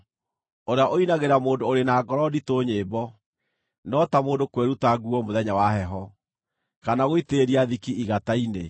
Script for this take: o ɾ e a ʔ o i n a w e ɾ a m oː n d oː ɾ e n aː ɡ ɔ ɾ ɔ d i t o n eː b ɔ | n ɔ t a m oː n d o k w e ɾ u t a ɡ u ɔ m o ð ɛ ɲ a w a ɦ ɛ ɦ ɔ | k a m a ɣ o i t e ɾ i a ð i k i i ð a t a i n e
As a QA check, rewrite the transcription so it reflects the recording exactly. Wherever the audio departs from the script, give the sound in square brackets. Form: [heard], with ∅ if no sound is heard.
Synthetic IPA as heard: o ɾ e a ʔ o i n a [ɣ] e ɾ a m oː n d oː ɾ e n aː ɡ ɔ ɾ ɔ d i t o [ɲ] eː b ɔ | n ɔ t a m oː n d o k w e ɾ u t a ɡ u ɔ m o ð ɛ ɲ a w a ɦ ɛ ɦ ɔ | k a [n] a ɣ o i t e ɾ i a ð i k i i [ɣ] a t a i n e